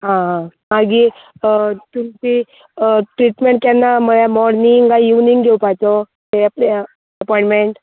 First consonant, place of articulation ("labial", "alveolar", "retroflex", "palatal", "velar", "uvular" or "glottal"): glottal